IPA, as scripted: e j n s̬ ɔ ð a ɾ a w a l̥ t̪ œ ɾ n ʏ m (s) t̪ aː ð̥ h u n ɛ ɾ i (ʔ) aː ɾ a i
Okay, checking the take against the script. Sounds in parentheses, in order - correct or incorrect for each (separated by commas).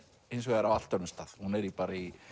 correct, incorrect